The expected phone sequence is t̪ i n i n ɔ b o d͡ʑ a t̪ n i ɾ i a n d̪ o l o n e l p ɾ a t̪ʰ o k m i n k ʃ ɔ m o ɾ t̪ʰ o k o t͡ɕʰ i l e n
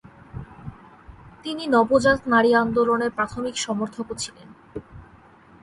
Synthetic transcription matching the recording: t̪ i n i n ɔ b o d͡ʑ a t̪ n a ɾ i a n d̪ o l o n e ɾ p ɾ a t̪ʰ o m i k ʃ ɔ m o ɾ t̪ʰ o k o t͡ɕʰ i l e n